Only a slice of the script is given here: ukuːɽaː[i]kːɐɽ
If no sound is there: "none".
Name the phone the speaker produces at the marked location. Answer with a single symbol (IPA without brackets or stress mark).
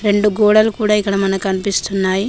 i